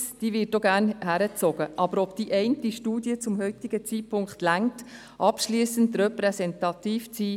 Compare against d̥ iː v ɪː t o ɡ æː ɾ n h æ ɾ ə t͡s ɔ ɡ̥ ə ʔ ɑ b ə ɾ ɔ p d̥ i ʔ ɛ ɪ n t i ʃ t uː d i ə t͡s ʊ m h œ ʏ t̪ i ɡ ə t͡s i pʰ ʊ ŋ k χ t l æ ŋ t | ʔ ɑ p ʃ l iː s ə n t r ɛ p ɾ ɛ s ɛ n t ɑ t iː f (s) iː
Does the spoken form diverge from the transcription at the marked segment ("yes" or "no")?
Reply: yes